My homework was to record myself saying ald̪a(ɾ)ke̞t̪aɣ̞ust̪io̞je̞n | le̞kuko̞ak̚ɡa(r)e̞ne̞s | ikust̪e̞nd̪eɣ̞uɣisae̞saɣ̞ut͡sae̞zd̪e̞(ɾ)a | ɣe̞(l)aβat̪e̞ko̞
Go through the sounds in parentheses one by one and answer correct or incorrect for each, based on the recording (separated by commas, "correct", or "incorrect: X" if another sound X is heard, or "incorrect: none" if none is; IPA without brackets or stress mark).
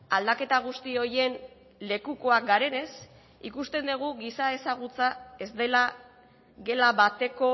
incorrect: none, incorrect: ɾ, incorrect: l, correct